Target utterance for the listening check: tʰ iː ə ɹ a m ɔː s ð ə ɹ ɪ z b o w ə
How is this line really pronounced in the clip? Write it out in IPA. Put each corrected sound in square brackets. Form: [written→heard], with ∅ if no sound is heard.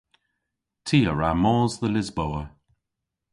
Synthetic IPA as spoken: tʰ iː ə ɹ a m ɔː [s→z] ð ə [ɹ→l] ɪ z b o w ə